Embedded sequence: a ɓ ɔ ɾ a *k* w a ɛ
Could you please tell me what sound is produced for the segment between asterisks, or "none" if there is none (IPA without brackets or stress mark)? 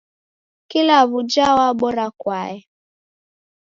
k